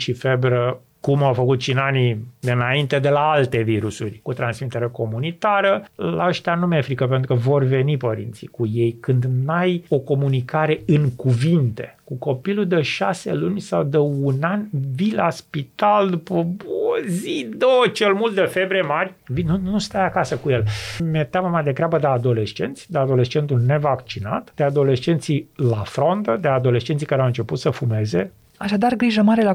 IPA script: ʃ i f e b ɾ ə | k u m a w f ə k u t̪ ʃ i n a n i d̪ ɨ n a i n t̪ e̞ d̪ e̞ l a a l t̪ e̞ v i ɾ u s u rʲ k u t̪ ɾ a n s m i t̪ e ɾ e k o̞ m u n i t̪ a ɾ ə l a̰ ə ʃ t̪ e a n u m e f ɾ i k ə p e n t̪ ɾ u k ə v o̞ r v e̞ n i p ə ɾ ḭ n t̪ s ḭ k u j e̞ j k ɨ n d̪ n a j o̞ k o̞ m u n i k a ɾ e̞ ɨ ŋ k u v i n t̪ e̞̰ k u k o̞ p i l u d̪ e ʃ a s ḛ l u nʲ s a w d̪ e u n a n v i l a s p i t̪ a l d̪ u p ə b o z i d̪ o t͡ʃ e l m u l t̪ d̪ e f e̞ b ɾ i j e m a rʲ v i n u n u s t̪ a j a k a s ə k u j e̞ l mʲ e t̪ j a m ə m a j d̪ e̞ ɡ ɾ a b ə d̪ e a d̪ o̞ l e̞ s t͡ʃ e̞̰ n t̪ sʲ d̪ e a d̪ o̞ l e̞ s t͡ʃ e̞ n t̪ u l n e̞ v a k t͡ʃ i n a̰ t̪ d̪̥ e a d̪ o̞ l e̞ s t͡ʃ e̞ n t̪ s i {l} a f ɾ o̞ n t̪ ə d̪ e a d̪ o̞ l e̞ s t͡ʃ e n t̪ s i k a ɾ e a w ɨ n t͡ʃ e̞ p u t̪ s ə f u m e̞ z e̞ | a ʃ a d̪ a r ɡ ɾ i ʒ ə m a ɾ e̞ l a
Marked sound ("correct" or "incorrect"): correct